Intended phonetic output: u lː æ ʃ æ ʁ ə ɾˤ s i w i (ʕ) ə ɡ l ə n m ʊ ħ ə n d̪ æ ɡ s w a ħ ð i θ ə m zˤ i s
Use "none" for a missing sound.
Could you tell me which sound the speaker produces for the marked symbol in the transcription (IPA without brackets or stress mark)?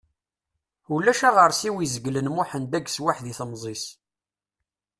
z